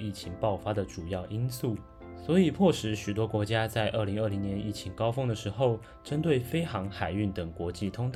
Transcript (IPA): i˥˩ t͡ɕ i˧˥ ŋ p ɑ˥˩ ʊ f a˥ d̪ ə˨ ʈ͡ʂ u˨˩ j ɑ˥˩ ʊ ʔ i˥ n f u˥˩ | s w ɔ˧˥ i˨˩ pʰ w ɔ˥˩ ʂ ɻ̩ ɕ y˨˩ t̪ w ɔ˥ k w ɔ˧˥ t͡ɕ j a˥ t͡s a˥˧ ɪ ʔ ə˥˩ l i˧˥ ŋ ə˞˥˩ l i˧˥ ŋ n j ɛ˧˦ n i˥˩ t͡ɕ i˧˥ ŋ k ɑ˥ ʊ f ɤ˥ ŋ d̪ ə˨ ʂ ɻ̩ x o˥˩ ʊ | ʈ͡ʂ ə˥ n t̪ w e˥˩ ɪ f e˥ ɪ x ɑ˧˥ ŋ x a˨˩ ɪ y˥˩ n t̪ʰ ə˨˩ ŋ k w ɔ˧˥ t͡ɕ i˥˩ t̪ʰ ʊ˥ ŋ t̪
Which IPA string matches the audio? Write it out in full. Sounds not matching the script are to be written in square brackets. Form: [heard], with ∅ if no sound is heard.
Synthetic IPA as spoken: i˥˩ [t͡ɕʰ] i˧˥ ŋ p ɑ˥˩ ʊ f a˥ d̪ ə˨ ʈ͡ʂ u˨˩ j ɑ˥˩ ʊ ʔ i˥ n [s] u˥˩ | s w ɔ˧˥ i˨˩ pʰ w ɔ˥˩ ʂ ɻ̩ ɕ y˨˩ t̪ w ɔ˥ k w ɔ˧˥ t͡ɕ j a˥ t͡s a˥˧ ɪ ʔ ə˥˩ l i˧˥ ŋ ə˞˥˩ l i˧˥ ŋ n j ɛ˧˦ n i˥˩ [t͡ɕʰ] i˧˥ ŋ k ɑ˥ ʊ f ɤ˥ ŋ d̪ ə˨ ʂ ɻ̩ x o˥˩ ʊ | ʈ͡ʂ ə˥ n t̪ w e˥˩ ɪ f e˥ ɪ x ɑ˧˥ ŋ x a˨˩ ɪ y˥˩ n [t̪] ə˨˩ ŋ k w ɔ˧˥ t͡ɕ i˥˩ t̪ʰ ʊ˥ ŋ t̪